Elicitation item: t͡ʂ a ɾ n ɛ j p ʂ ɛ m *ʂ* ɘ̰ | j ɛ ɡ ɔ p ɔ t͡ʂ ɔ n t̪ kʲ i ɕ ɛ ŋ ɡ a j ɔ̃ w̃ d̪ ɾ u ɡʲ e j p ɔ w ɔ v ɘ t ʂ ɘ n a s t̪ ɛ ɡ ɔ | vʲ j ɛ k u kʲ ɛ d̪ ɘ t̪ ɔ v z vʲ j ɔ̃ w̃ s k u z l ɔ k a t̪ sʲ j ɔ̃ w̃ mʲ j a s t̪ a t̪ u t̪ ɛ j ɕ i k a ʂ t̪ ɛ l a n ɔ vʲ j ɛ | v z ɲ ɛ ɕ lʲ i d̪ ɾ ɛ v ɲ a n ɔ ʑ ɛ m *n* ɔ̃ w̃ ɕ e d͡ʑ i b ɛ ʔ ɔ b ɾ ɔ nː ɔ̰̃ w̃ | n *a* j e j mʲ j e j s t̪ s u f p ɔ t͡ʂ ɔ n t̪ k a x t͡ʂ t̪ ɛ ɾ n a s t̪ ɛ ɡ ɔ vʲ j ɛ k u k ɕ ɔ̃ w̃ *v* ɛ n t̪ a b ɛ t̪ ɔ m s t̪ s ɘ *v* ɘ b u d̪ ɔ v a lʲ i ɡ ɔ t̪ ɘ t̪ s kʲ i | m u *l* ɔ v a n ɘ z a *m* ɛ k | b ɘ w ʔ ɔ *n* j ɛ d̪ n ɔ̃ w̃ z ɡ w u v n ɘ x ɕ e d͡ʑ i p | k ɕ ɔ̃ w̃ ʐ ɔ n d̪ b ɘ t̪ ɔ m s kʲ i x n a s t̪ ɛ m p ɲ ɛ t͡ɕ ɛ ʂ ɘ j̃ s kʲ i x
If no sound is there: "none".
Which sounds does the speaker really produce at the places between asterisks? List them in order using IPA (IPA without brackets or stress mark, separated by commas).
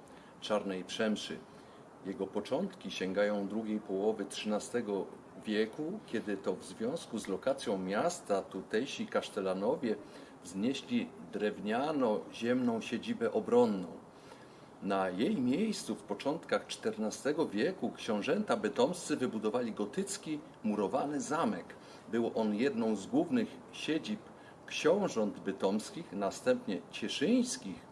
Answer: ʂ, n, a, ʐ, v, ɾ, m, n